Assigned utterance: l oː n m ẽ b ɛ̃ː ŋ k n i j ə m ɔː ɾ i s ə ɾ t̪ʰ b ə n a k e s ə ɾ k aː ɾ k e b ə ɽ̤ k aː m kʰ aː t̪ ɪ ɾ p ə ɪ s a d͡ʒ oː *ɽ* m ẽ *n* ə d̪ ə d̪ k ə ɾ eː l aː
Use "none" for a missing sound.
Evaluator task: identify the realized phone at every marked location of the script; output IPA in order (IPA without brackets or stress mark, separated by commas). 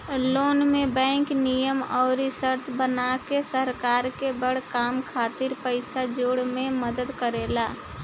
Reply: ɽ, m